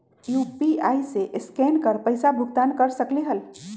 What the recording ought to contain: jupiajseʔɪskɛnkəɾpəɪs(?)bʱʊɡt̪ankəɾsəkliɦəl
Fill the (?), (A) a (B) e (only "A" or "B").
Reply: A